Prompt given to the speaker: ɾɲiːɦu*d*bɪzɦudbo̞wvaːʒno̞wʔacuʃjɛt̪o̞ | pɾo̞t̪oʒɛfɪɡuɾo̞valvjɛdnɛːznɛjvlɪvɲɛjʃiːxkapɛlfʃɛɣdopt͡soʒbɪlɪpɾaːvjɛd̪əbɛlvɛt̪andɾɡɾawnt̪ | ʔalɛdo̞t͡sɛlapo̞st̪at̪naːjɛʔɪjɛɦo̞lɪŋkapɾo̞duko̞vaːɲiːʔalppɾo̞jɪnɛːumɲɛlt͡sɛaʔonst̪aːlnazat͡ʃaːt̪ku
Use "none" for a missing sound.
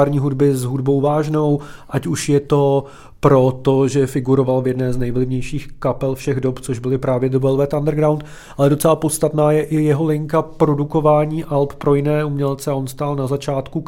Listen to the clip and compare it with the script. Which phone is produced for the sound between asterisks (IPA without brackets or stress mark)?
d